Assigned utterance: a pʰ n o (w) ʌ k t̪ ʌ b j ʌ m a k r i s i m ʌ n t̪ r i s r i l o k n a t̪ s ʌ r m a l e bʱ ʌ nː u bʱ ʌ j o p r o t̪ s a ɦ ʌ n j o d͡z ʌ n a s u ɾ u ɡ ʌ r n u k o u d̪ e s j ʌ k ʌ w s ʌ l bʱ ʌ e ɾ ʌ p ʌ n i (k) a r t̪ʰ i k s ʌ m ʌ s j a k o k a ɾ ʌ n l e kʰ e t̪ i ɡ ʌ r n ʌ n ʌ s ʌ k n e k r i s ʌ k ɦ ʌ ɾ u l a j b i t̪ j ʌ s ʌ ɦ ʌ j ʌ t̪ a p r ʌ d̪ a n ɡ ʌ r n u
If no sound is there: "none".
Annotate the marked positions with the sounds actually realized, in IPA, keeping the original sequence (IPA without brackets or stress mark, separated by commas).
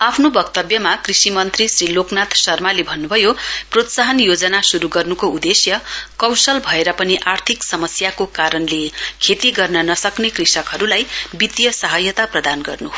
b, ʔ